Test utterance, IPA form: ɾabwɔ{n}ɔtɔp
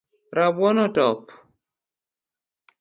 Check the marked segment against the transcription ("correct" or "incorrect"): correct